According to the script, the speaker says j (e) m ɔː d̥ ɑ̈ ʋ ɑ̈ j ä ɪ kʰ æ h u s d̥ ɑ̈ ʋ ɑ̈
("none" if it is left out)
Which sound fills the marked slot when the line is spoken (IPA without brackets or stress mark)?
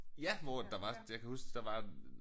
æ